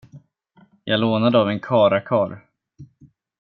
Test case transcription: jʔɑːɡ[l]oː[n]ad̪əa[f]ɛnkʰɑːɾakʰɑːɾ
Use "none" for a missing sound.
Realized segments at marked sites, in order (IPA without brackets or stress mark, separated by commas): l, n, v